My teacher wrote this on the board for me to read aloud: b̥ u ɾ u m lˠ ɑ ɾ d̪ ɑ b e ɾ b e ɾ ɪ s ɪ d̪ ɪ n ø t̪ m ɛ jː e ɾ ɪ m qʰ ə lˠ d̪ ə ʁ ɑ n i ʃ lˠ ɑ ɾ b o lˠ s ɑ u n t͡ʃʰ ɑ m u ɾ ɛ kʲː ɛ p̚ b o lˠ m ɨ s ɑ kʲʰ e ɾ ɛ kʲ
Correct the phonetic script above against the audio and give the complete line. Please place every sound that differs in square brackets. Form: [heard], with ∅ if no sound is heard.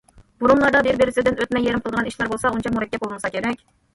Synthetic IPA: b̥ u ɾ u m lˠ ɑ ɾ d̪ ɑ b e ɾ b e ɾ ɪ s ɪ d̪ ɪ n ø t̪ m ɛ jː e ɾ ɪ m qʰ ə lˠ d̪ ə ʁ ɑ n i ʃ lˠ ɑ ɾ b o lˠ s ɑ u n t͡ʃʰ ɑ m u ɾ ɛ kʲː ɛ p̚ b o lˠ m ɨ s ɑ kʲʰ e ɾ ɛ kʲ